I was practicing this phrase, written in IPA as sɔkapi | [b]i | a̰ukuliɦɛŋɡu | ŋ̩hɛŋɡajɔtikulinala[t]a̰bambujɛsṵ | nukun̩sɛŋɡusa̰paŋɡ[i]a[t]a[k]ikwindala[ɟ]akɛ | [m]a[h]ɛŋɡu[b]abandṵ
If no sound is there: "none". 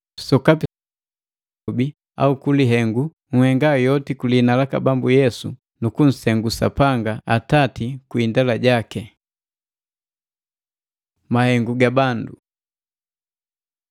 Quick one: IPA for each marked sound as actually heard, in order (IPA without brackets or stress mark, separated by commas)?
b, k, a, t, t, ɟ, m, h, ɡ